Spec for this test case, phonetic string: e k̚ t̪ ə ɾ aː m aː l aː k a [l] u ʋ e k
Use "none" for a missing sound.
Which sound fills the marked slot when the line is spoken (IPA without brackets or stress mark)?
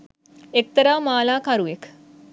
ɾ